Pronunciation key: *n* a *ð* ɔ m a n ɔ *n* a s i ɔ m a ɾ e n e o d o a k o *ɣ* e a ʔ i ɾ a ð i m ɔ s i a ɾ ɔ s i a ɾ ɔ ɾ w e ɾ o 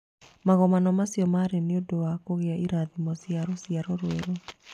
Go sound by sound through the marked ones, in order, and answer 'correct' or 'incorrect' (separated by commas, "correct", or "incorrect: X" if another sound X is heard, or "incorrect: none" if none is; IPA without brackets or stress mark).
incorrect: m, incorrect: ɣ, incorrect: m, correct